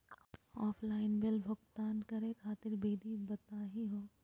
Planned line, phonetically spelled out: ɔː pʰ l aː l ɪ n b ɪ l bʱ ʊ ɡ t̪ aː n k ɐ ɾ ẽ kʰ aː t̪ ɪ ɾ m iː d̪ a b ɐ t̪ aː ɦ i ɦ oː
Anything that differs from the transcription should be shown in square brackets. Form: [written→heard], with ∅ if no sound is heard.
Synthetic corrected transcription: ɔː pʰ l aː [l→∅] ɪ n b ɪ l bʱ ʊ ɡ t̪ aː n k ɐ ɾ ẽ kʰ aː t̪ ɪ ɾ [m→b] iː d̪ [a→i] b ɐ t̪ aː ɦ i ɦ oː